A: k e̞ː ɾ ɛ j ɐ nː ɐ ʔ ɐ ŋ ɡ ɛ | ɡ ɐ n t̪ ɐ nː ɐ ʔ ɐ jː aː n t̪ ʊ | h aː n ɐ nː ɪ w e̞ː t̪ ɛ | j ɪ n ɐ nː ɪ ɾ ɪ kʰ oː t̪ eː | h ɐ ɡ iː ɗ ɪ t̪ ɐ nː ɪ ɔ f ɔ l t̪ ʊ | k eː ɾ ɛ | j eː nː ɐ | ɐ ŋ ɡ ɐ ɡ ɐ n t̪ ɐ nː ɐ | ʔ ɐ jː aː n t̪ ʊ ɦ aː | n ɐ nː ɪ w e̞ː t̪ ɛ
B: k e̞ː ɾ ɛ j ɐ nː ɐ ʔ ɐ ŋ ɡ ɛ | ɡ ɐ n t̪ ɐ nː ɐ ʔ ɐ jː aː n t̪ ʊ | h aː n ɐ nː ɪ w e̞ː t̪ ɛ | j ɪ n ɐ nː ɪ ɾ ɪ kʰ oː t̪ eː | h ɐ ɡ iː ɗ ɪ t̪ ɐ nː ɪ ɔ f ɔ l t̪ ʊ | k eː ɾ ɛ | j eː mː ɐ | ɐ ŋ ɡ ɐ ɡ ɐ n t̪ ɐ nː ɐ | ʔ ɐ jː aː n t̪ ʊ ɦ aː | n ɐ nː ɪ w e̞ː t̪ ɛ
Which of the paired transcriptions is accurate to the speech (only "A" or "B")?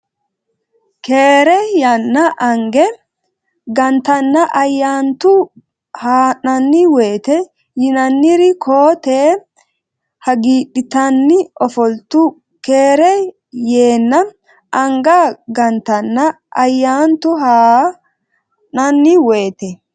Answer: A